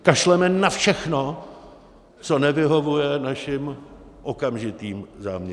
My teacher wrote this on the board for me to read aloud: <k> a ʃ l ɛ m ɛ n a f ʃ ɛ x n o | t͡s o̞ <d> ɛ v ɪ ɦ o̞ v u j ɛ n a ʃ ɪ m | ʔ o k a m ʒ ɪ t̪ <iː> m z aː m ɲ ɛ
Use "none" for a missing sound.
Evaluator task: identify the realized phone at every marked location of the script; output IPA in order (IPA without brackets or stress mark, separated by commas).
k, n, iː